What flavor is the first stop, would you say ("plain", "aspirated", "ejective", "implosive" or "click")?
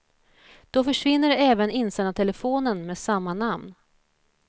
plain